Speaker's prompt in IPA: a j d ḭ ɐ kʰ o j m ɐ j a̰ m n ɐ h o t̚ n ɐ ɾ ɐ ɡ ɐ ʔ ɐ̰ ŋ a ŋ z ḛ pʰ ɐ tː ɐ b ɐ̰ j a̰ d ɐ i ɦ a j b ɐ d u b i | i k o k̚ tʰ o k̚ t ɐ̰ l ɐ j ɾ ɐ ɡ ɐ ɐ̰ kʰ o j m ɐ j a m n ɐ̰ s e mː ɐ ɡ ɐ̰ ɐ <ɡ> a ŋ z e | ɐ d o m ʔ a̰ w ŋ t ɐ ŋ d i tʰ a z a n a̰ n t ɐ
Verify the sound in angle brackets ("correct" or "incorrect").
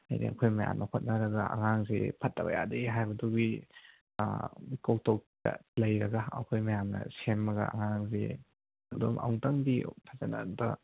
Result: incorrect